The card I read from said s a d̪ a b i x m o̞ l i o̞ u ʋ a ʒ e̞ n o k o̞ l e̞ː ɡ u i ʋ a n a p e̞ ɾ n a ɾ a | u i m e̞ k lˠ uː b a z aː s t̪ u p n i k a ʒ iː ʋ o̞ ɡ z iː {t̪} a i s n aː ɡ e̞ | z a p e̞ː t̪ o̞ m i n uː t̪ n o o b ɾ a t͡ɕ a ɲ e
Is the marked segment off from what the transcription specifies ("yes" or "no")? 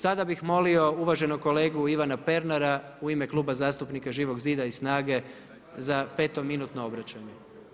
yes